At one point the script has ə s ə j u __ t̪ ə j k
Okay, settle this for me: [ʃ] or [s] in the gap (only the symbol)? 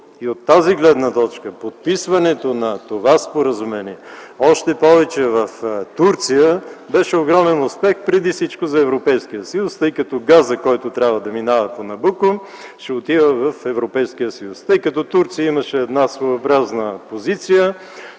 s